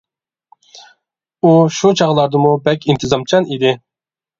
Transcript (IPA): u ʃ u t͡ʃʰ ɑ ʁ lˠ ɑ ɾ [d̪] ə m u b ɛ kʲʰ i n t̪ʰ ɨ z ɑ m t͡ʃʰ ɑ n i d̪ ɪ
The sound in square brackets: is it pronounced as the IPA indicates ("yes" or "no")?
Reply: yes